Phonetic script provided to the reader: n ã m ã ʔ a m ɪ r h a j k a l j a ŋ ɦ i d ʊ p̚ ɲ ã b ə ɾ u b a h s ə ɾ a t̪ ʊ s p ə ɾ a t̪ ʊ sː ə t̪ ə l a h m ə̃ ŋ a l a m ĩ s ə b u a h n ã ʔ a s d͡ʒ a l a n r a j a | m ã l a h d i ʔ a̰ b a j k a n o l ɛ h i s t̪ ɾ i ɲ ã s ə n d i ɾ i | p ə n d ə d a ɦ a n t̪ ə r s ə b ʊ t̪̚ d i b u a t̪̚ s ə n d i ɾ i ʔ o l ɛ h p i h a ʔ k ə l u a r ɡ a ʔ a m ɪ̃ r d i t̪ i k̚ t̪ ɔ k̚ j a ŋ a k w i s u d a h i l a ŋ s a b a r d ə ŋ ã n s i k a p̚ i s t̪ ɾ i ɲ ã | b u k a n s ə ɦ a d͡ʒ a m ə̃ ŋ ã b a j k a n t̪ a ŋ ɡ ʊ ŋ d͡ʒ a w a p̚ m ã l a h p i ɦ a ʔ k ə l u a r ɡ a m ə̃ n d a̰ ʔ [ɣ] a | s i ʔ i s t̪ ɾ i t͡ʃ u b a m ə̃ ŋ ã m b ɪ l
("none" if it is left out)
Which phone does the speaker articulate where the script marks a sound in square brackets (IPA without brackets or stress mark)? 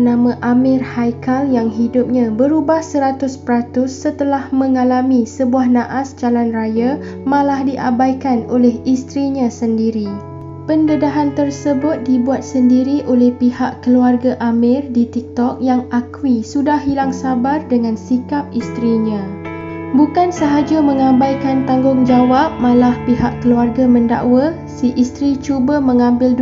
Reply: w